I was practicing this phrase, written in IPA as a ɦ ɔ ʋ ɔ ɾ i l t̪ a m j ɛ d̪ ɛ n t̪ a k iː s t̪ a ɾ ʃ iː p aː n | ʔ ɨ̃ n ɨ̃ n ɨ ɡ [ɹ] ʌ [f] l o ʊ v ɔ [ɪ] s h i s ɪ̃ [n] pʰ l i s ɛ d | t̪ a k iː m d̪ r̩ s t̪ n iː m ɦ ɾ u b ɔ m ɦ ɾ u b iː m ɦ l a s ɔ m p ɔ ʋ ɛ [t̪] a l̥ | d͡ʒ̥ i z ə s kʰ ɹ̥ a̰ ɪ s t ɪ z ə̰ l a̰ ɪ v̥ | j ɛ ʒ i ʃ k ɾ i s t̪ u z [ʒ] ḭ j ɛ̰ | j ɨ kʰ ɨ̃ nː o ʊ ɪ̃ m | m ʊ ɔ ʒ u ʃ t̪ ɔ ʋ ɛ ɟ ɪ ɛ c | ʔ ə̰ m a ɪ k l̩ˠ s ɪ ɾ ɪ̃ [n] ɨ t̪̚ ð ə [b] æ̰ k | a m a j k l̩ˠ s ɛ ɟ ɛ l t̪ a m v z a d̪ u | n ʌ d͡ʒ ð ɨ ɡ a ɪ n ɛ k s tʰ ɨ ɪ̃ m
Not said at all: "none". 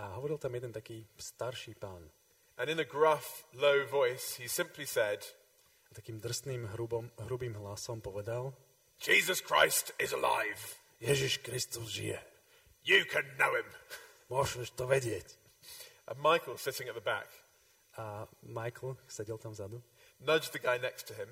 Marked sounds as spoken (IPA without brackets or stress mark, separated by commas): ɹ, f, ɪ, m, d̪, ʒ, ŋ, b